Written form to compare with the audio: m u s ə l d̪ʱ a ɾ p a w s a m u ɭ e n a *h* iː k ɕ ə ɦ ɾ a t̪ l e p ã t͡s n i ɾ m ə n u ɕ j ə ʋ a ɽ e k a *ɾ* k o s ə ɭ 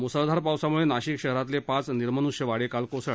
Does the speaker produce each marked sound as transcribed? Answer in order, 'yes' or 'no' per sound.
no, no

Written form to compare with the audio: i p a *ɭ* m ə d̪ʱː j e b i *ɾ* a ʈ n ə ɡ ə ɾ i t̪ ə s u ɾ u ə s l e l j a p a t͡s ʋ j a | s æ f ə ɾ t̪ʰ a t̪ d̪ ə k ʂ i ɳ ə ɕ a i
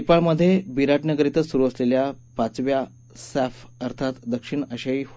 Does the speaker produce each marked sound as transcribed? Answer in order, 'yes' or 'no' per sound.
yes, yes

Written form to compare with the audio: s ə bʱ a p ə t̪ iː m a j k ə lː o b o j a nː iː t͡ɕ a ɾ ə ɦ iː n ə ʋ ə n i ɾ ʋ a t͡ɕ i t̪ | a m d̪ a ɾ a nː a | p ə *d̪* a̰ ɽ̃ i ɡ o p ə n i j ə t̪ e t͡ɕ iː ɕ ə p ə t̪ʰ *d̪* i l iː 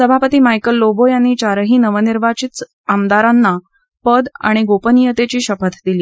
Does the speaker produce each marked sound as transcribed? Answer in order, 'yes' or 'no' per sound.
yes, yes

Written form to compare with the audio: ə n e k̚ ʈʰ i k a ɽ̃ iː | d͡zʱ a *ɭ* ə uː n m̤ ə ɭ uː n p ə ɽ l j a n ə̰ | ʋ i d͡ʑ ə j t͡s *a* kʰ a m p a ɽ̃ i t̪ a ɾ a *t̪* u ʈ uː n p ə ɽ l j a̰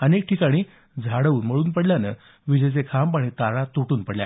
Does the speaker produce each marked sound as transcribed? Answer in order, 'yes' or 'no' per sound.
no, no, yes

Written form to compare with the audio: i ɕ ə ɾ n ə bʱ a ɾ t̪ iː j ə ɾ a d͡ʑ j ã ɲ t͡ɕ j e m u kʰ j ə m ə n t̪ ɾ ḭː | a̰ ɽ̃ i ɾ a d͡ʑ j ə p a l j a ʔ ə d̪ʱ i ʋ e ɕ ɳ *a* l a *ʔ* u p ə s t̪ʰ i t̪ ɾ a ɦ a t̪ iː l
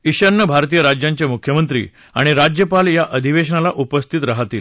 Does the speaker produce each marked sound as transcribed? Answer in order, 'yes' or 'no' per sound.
yes, yes

